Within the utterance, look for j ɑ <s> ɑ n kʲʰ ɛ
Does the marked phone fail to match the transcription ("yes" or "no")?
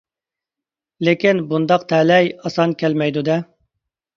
no